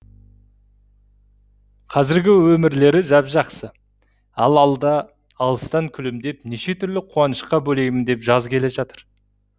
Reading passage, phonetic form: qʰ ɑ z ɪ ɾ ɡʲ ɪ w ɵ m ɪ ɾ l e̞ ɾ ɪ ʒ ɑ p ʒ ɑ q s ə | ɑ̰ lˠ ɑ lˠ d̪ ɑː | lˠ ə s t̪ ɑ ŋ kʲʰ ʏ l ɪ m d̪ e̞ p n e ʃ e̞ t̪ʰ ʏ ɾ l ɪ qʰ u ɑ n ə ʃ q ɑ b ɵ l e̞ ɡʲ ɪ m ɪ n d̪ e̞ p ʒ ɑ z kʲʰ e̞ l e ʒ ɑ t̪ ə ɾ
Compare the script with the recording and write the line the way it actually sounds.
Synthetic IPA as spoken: qʰ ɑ z ɪ ɾ ɡʲ ɪ w ɵ m ɪ ɾ l e̞ ɾ ɪ ʒ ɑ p ʒ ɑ q s ə | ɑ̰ lˠ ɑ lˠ d̪ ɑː | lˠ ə s t̪ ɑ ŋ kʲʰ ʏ l ɪ m d̪ e̞ p n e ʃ e̞ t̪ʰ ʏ ɾ l ɪ qʰ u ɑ n ə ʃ q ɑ b ɵ l e̞ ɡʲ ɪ m ɪ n d̪ e̞ p ʒ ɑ z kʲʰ e̞ l e ʒ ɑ t̪ ə ɾ